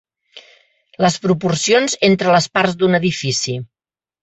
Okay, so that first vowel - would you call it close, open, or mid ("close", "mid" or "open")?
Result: mid